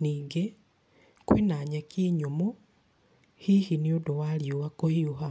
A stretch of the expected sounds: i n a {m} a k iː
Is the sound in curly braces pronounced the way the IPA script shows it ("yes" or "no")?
no